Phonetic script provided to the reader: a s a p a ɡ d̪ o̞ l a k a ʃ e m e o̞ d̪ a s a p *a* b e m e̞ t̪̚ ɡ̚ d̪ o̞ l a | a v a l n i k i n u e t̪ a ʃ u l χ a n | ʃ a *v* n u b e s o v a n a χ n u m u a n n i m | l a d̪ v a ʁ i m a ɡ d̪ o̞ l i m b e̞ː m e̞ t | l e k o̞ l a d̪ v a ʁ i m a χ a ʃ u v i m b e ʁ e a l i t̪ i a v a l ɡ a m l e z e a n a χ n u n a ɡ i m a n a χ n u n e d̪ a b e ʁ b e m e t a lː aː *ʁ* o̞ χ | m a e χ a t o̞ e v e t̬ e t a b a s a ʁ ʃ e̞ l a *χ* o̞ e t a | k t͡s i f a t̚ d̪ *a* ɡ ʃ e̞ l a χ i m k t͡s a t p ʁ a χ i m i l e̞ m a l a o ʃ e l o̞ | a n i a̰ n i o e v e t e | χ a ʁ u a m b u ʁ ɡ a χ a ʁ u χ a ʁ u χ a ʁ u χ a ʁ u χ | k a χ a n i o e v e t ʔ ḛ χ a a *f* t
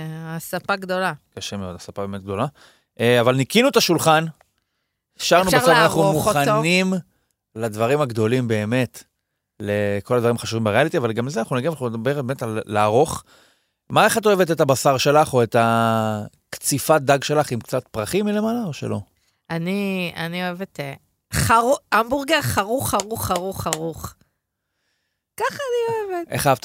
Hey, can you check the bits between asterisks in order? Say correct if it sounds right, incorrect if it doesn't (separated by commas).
correct, incorrect, correct, correct, correct, incorrect